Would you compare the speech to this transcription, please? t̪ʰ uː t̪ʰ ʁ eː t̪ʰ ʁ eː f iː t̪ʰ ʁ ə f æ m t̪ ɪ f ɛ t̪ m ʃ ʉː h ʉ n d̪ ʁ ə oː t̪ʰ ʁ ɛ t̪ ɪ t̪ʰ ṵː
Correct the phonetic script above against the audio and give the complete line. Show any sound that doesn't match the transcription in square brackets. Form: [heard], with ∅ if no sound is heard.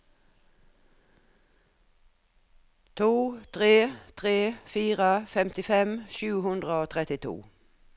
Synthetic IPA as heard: t̪ʰ uː t̪ʰ ʁ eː t̪ʰ ʁ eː f iː [∅] ʁ ə f [ɛ] m t̪ ɪ f ɛ [∅] m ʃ ʉː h ʉ n d̪ ʁ ə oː t̪ʰ ʁ ɛ t̪ ɪ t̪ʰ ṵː